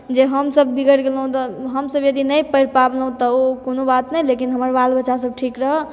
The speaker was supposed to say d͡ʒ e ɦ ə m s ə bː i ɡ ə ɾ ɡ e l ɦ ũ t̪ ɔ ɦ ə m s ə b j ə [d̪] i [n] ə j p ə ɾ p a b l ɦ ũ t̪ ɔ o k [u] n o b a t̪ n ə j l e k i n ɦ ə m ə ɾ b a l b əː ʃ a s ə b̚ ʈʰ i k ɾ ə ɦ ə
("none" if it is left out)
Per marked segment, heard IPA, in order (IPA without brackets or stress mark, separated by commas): d̪, n, o